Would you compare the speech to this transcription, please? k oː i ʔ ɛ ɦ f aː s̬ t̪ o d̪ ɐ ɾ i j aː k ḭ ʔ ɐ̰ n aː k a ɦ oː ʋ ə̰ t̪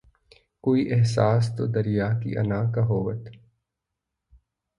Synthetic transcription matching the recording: k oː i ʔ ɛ ɦ s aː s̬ t̪ o d̪ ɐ ɾ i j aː k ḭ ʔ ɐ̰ n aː k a ɦ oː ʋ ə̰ t̪